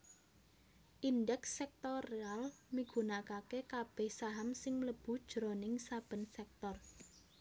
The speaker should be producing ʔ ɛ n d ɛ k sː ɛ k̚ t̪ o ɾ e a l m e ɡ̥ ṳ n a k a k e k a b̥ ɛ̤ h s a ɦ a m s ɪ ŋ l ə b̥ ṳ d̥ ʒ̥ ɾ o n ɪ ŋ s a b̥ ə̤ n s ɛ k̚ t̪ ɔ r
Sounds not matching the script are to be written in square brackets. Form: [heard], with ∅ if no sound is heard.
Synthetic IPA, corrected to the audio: ʔ [i] n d ɛ k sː ɛ k̚ t̪ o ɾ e a l m [i] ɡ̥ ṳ n a k a k e k a b̥ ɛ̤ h s a ɦ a m s ɪ ŋ l ə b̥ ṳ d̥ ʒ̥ ɾ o n ɪ ŋ s a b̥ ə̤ n s ɛ k̚ t̪ ɔ r